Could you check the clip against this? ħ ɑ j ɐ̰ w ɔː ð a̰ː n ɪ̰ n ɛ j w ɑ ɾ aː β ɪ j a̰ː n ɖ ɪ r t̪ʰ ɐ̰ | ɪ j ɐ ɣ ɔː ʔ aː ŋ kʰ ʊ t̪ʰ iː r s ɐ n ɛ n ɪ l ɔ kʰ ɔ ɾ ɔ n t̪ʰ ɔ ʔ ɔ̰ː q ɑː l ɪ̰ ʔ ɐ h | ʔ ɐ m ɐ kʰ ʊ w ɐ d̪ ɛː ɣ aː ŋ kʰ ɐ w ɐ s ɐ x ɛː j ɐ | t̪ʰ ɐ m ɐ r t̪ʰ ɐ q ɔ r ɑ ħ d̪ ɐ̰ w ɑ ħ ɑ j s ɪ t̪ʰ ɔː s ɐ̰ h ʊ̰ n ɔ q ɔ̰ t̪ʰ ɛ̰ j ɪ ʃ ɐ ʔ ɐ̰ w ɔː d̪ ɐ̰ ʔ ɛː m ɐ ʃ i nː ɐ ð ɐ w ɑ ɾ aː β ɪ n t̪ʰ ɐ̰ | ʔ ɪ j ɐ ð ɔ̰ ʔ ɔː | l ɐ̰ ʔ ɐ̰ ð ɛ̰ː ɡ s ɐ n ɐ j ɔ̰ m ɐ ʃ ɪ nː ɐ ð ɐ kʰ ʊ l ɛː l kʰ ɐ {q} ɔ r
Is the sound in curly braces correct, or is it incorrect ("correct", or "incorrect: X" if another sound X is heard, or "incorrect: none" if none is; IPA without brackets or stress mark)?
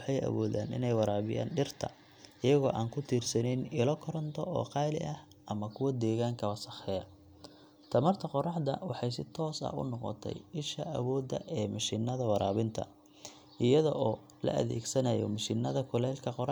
correct